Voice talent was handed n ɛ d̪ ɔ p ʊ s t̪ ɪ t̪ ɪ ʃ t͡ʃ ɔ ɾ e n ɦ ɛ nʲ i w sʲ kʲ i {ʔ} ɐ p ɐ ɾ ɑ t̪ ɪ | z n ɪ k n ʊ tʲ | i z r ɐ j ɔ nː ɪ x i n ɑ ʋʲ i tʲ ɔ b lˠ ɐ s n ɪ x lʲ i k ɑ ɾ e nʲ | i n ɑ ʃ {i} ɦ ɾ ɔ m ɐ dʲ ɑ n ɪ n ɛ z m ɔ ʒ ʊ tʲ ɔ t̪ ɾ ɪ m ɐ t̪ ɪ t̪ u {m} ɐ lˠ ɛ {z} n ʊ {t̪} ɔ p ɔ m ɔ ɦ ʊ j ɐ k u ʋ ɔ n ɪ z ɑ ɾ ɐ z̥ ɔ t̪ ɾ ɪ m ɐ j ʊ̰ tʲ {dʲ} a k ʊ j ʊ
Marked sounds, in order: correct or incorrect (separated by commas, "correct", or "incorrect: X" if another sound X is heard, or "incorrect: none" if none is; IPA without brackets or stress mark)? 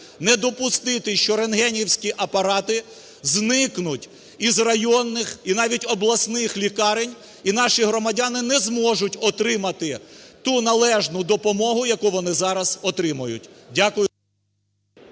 correct, correct, incorrect: n, incorrect: ʒ, incorrect: d̪, correct